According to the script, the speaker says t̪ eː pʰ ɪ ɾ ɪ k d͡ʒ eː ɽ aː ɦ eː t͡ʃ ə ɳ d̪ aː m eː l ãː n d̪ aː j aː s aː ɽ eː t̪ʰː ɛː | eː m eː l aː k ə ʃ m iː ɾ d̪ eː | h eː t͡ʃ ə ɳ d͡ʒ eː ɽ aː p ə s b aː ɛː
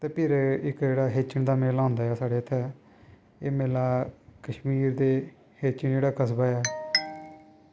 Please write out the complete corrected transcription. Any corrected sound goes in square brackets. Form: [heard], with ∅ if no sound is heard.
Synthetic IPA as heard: t̪ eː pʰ ɪ ɾ ɪ k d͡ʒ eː ɽ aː ɦ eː t͡ʃ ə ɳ d̪ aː m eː l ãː n d̪ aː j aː s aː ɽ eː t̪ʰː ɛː | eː m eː l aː k ə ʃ m iː ɾ d̪ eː | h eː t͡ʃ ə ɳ d͡ʒ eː ɽ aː [k] ə s b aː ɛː